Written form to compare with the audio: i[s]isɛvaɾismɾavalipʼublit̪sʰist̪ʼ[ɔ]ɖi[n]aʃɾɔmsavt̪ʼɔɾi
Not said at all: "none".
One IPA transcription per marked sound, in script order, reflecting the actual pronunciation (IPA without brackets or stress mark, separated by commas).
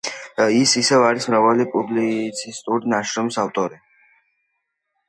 s, u, n